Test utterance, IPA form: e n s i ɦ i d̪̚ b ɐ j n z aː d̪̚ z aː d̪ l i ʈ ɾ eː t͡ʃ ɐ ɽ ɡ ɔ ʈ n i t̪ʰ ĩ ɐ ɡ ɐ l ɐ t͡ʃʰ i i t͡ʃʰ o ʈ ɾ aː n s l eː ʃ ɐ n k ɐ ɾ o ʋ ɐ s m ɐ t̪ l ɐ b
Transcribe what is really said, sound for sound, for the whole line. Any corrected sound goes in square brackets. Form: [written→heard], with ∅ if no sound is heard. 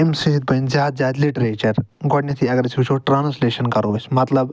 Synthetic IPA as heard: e [n→m] s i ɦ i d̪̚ b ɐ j n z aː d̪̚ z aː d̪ l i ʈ ɾ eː t͡ʃ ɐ [ɽ→ɾ] ɡ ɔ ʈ n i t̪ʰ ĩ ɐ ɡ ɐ [l→ɾ] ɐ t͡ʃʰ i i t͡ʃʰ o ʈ ɾ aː n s l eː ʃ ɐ n k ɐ ɾ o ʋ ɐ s m ɐ t̪ l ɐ b